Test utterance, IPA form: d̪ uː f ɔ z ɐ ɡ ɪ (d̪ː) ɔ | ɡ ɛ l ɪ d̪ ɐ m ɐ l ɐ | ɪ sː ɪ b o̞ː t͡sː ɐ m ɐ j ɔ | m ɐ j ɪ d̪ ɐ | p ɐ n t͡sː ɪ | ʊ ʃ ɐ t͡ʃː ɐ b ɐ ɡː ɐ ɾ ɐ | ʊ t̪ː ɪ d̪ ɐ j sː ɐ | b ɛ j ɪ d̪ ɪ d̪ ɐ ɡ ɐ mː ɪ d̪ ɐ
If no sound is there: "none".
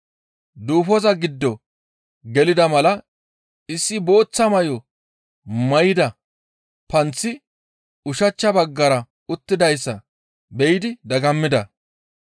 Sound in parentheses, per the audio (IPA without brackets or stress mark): d̪ː